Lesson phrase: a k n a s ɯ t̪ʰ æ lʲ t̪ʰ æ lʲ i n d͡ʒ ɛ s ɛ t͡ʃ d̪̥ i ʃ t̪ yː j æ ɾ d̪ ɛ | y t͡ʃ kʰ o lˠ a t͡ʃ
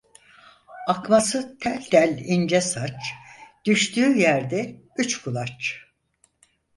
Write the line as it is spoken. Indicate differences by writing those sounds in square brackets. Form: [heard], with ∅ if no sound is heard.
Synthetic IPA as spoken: a k [m] a s ɯ t̪ʰ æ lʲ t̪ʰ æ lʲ i n d͡ʒ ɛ s [a] t͡ʃ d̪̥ [y] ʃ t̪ yː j æ ɾ d̪ ɛ | y t͡ʃ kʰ [u] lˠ a t͡ʃ